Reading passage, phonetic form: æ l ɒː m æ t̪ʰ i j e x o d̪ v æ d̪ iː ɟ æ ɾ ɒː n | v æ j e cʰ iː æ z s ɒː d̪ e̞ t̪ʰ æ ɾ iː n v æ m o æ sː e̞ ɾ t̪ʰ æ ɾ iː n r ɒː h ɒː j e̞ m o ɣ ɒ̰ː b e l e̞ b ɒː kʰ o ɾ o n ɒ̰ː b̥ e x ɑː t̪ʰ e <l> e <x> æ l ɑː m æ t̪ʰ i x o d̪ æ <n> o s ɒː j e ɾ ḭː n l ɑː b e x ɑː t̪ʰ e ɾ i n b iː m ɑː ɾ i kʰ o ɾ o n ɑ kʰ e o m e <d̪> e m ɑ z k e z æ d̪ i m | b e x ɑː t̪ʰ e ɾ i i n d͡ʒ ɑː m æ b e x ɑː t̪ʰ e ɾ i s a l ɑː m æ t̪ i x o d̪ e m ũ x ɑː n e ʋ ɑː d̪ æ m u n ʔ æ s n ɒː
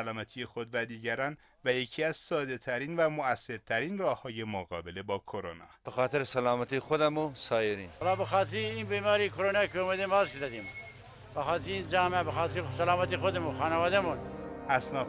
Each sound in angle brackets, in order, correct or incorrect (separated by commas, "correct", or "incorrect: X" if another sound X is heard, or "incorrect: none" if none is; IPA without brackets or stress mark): incorrect: ɾ, incorrect: s, incorrect: m, correct